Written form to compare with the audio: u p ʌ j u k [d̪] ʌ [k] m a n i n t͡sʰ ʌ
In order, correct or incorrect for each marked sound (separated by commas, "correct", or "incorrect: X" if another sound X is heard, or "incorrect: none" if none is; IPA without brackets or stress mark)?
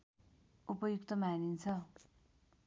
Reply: incorrect: t̪, incorrect: none